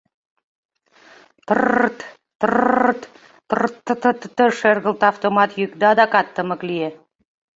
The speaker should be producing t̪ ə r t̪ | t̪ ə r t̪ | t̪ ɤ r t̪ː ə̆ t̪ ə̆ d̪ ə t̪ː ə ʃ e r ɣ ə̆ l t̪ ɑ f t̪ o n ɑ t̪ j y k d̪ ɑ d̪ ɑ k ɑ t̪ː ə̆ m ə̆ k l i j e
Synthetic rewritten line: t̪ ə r t̪ | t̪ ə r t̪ | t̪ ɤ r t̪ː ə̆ t̪ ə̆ t̪ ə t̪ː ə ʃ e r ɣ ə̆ l t̪ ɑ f t̪ o m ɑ t̪ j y k d̪ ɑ d̪ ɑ k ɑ t̪ː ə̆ m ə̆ k l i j e